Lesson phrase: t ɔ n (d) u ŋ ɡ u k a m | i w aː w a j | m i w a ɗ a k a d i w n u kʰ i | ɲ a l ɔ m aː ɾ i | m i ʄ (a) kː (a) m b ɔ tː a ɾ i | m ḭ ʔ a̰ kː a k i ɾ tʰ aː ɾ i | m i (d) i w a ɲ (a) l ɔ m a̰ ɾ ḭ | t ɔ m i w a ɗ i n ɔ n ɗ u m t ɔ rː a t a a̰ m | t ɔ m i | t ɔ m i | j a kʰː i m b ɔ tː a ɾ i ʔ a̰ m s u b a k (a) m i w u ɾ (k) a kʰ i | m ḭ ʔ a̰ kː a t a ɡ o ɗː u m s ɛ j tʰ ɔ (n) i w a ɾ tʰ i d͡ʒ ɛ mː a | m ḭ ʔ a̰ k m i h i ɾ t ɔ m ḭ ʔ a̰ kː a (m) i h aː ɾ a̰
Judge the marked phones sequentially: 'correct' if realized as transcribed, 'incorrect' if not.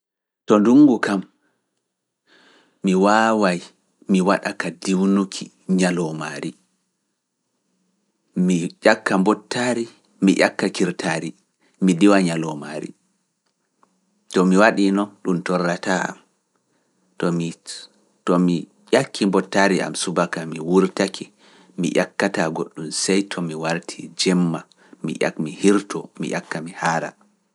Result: correct, correct, correct, correct, correct, correct, incorrect, incorrect, correct

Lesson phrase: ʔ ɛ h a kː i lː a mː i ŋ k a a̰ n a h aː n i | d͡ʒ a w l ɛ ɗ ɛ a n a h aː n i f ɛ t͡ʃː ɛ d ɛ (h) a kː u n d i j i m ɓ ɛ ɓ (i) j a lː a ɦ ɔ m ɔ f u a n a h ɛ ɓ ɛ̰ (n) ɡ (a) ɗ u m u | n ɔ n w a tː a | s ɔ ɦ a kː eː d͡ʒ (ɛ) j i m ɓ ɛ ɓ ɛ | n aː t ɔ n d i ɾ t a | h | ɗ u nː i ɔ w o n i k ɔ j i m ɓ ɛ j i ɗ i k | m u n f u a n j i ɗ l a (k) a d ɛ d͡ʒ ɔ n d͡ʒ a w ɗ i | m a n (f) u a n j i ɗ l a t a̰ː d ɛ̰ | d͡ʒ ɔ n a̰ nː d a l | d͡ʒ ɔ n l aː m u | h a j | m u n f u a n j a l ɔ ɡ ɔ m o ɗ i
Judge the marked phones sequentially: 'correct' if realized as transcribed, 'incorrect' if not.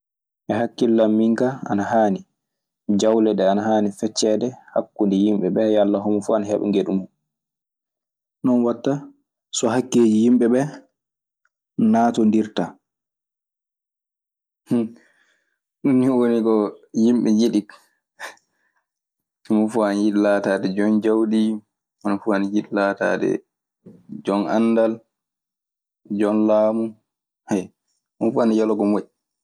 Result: correct, incorrect, incorrect, incorrect, incorrect, incorrect, correct

